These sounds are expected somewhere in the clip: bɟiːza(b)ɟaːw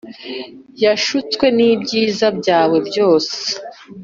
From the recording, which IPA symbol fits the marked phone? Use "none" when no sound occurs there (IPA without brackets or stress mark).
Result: b